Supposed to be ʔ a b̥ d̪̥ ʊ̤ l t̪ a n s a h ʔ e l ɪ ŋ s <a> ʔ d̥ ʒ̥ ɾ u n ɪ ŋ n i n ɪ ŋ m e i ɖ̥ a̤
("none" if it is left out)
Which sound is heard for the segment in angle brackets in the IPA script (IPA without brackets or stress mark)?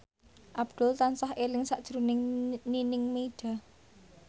a